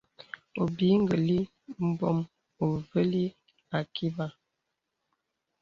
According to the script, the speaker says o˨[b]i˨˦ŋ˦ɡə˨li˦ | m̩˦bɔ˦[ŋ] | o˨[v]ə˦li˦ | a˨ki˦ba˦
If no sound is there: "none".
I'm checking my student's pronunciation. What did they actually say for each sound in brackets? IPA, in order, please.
b, m, v

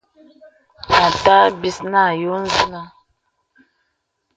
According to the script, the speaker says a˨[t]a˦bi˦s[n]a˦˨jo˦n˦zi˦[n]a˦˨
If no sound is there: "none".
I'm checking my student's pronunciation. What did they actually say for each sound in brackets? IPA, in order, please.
t, n, n

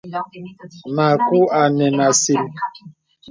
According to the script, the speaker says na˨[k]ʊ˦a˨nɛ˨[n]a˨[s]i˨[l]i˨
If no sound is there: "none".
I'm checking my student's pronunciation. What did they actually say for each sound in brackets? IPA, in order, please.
k, n, s, ɾ

